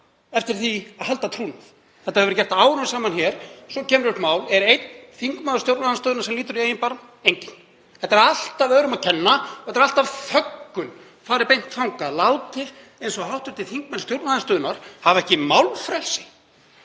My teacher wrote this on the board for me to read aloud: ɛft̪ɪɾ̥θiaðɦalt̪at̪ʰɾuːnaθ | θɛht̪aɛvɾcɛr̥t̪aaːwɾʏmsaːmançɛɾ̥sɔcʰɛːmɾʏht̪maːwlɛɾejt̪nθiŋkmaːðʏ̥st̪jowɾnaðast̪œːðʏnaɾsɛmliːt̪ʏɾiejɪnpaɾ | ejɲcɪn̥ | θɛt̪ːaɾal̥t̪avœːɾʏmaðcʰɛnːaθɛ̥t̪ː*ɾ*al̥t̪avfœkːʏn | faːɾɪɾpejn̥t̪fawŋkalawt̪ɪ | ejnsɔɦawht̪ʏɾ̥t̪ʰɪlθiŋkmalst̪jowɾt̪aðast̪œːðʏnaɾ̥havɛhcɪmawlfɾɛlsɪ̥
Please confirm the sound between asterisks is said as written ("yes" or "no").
yes